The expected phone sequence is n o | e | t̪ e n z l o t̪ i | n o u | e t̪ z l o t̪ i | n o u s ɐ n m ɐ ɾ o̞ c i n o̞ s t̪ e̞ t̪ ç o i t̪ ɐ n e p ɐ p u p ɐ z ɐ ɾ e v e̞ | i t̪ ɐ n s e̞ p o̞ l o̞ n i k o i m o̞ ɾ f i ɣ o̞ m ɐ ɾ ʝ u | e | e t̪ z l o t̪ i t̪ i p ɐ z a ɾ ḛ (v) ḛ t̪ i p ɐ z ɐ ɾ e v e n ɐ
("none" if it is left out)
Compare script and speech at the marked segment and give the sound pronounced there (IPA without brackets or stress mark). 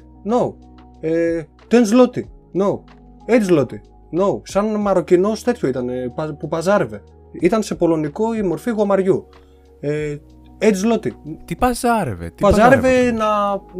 v